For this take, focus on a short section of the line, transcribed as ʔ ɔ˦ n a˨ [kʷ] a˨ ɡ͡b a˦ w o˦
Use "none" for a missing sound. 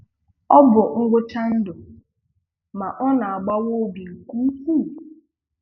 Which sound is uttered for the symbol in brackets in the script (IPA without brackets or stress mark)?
none